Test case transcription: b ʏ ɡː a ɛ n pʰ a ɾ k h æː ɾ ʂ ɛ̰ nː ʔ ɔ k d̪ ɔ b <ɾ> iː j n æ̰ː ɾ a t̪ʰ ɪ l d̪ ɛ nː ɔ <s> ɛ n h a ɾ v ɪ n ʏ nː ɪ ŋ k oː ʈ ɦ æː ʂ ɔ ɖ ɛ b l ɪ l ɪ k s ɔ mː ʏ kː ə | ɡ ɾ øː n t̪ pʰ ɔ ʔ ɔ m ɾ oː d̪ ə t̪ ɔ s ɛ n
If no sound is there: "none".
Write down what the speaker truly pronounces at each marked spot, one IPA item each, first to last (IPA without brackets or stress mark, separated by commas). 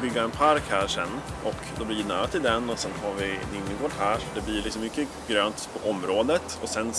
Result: l, s